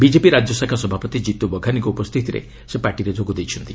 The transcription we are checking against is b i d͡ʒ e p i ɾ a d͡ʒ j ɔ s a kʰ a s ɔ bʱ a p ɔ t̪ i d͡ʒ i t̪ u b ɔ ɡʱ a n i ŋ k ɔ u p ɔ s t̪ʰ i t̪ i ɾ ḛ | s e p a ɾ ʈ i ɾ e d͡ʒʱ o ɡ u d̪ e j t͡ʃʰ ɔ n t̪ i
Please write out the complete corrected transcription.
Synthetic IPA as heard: b i d͡ʒ e p i ɾ a d͡ʒ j ɔ s a kʰ a s ɔ bʱ a p ɔ t̪ i d͡ʒ i t̪ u b ɔ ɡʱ a n i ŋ k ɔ u p ɔ s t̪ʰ i t̪ i ɾ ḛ | s e p a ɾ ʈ i ɾ e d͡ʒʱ o ɡ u d̪ e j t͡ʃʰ ɔ n t̪ i